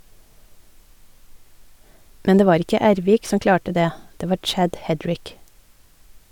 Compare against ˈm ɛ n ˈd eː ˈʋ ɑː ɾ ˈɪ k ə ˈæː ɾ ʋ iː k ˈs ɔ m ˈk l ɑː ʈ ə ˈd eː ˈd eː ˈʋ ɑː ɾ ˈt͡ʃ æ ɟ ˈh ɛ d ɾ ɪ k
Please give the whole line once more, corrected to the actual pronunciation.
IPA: ˈm ɛ n ˈd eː ˈʋ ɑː ɾ ˈɪ k ə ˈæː ɾ ʋ iː k ˈs ɔ m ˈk l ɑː ʈ ə ˈd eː ˈd eː ˈʋ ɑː ɾ ˈt͡ʃ æ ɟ ˈh ɛ d ɹ ɪ k